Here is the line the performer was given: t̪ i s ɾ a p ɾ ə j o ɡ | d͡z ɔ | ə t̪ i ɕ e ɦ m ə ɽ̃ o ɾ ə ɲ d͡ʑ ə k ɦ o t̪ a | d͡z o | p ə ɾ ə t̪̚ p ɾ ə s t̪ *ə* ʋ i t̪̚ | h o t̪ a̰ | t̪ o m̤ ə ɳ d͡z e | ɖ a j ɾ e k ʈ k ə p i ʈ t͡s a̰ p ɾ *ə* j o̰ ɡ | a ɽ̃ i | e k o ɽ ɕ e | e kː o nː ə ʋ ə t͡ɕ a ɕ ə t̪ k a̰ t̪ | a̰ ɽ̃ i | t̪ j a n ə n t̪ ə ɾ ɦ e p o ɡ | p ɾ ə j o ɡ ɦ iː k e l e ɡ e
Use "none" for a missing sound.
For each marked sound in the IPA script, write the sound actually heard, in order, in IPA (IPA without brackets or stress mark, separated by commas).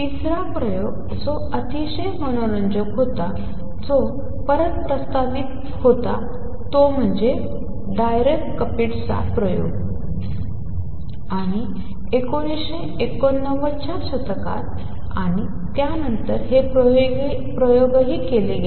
a, ə